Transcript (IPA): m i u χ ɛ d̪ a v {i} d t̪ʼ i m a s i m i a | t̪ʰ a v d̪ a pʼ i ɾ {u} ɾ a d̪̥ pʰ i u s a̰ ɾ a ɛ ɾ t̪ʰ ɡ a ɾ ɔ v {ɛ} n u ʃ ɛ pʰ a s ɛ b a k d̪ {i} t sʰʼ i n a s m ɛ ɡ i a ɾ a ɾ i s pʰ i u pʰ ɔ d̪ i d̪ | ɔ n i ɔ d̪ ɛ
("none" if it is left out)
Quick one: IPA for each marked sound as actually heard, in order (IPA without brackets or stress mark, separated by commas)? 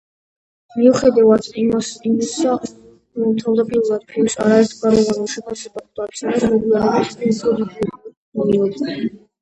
a, u, a, a